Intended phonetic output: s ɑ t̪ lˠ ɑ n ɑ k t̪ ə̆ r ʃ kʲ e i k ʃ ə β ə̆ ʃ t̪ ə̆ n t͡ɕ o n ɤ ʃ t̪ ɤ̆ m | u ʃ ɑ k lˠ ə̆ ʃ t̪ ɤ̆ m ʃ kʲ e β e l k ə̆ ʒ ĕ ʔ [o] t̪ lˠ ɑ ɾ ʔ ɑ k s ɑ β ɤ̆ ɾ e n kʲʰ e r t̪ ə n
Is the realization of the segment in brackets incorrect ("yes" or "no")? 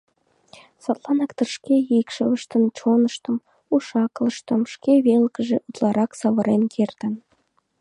yes